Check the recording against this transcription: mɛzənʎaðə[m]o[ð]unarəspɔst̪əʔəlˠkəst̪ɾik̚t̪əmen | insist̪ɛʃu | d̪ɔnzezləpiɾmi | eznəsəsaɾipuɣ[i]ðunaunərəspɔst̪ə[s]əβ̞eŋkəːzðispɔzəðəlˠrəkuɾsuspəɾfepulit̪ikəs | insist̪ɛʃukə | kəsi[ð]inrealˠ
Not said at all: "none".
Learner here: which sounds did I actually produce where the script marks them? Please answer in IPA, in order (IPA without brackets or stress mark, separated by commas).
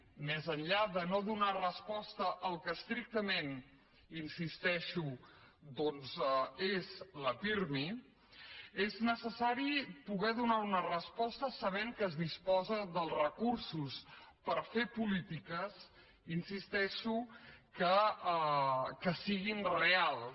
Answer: n, ð, ɛ, s, ɣ